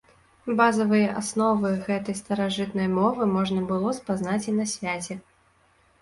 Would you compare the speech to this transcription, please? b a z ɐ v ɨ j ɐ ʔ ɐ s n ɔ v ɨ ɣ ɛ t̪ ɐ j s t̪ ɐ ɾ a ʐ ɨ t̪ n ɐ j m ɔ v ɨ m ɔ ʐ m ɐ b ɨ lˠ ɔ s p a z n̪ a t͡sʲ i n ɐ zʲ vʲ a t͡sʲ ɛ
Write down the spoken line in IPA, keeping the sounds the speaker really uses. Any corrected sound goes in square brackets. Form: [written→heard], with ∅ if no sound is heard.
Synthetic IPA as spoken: b a z ɐ v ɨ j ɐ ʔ [ɐ→a] s n ɔ v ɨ ɣ ɛ t̪ ɐ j s t̪ ɐ ɾ a ʐ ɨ t̪ n ɐ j m ɔ v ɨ m ɔ ʐ [m→n] ɐ b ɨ lˠ ɔ s p a z n̪ a t͡sʲ i n ɐ [zʲ→sʲ] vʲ a t͡sʲ ɛ